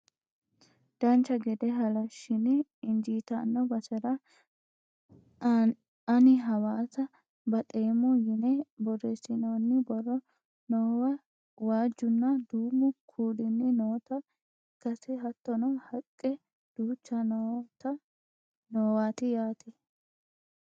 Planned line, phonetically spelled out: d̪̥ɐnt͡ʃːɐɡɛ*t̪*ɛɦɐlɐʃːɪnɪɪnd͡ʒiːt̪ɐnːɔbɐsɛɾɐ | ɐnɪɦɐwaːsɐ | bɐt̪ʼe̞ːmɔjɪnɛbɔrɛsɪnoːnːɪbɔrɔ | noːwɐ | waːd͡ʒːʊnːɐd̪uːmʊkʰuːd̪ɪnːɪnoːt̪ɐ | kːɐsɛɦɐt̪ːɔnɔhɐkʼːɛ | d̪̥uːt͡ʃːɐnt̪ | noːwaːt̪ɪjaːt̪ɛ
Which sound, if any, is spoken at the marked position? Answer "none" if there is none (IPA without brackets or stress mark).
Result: d̪